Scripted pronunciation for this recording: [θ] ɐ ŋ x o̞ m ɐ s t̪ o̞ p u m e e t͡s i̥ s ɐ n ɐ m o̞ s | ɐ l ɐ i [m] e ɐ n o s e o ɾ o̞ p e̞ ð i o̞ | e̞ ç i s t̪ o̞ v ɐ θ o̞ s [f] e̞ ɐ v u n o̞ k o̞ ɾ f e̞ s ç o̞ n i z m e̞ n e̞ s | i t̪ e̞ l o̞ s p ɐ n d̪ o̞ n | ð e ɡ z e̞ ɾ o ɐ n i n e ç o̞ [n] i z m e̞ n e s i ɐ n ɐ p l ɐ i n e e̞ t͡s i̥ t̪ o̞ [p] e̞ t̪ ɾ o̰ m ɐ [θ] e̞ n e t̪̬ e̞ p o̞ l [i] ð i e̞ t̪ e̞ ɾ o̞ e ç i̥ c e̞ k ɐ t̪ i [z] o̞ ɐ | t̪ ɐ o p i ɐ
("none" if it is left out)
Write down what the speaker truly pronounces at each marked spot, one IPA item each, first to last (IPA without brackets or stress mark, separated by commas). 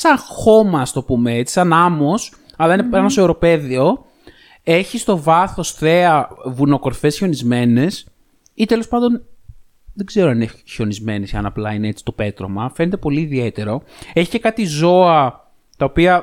s, n, θ, n, p, f, iː, z